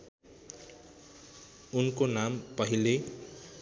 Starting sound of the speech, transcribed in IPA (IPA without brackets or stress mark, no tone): u